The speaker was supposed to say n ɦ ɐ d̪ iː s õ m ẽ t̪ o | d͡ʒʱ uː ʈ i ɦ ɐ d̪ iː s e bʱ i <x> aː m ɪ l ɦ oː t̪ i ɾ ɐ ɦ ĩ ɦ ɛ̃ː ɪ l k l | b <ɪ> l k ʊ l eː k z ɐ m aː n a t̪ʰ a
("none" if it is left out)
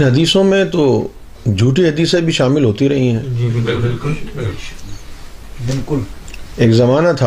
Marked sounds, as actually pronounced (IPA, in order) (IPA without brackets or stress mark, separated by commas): ʃ, ɪ